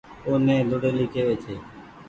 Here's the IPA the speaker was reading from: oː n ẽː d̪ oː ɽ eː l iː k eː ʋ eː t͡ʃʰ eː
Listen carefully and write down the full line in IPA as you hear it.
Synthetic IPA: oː n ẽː d̪ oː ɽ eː l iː k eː ʋ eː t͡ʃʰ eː